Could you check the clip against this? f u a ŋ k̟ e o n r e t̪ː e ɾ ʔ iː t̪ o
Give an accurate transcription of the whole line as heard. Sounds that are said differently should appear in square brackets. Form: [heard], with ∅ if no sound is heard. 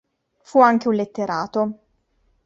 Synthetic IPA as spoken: f u a ŋ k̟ e [u] n [l] e t̪ː e ɾ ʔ [aː] t̪ o